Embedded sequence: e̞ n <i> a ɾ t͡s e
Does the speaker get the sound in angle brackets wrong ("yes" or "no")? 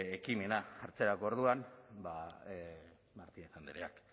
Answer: yes